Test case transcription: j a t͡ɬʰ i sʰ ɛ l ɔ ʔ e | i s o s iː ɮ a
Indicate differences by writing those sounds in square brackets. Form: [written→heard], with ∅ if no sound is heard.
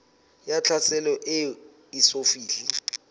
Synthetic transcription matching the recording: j a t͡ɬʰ [i→a] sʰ ɛ l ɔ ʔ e | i s o [s→f] iː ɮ [a→i]